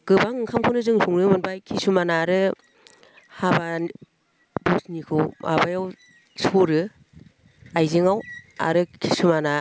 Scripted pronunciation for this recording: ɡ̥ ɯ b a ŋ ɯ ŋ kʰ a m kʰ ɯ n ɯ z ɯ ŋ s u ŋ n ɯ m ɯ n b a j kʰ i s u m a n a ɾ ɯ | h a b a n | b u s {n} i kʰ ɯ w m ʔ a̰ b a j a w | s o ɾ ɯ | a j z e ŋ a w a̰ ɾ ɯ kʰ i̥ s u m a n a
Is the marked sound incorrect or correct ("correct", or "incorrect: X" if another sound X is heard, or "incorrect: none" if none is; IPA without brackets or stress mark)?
correct